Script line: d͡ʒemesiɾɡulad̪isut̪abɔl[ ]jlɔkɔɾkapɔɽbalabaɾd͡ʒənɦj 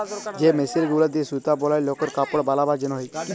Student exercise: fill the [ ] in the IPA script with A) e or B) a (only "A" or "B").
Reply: B